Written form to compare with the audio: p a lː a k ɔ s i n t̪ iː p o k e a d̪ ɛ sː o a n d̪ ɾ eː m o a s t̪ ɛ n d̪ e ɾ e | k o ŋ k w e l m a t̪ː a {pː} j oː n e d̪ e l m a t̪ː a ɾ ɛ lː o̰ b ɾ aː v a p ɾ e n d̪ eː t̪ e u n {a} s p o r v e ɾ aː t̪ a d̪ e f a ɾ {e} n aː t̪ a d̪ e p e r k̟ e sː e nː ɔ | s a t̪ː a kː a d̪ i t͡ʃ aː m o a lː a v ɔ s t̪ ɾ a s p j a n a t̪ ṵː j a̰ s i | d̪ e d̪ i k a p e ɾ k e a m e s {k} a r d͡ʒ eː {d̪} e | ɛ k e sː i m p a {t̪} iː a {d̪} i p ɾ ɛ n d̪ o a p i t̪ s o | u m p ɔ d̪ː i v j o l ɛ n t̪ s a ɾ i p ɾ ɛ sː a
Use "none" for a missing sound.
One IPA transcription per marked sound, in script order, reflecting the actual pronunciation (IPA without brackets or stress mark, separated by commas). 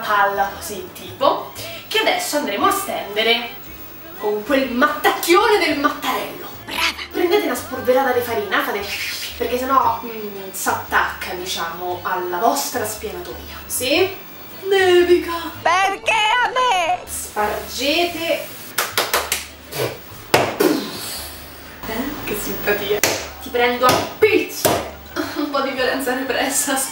kː, a, i, p, t̪, t̪, t̪